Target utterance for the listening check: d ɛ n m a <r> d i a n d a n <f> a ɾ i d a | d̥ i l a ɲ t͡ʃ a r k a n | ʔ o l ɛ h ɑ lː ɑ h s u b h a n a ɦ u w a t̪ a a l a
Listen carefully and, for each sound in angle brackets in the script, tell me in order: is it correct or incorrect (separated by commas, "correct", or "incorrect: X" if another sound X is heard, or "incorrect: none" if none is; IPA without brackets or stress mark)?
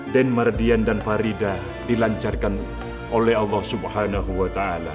correct, correct